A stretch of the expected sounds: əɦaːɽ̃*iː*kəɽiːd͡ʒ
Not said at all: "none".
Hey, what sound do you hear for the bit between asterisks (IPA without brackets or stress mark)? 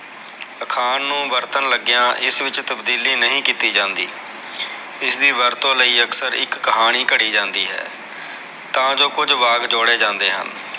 iː